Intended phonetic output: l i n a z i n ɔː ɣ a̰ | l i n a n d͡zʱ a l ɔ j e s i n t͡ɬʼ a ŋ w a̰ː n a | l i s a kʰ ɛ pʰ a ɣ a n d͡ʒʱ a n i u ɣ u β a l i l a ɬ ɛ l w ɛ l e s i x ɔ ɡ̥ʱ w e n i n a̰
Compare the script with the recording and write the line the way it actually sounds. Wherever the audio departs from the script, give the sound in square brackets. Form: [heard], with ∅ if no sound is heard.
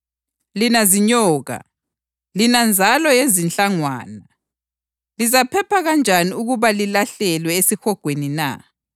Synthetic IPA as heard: l i n a z i [ɲ] ɔː ɣ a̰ | l i n a n d͡zʱ a l ɔ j e [z] i n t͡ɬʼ a ŋ w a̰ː n a | l i [z] a [pʰ] ɛ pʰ a ɣ a n d͡ʒʱ a n i u ɣ u β a l i l a ɬ ɛ l w ɛ [∅] e s i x ɔ ɡ̥ʱ w e n i n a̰